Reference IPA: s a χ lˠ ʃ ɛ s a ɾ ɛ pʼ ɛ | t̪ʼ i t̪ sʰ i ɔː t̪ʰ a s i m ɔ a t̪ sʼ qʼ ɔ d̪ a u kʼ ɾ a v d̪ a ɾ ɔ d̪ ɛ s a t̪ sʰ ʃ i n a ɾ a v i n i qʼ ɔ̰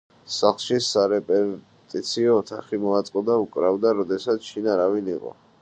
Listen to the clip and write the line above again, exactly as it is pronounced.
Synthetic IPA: s a χ lˠ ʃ i s a ɾ ɛ pʼ ɛ | t̪ʼ i t̪ sʰ i ɔː t̪ʰ a χ i m ɔ a t̪ sʼ qʼ ɔ d̪ a u kʼ ɾ a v d̪ a ɾ ɔ d̪ ɛ s a t̪ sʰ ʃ i n a ɾ a v i n i qʼ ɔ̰